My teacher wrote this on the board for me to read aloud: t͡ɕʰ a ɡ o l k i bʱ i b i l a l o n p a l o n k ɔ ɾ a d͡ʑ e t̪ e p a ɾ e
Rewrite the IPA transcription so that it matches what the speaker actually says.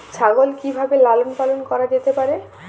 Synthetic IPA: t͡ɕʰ a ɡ o l k i bʱ a b e l a l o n p a l o n k ɔ ɾ a d͡ʑ e t̪ e p a ɾ e